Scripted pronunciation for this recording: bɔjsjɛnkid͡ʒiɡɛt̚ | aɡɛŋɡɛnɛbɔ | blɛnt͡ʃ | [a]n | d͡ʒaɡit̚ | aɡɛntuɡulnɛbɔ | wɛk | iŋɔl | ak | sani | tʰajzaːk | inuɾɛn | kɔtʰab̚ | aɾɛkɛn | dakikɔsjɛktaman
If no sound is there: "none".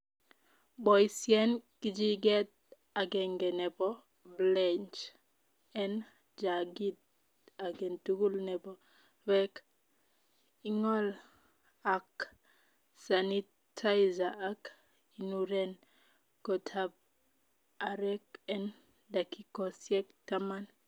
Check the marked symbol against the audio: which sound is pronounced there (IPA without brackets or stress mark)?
ɛ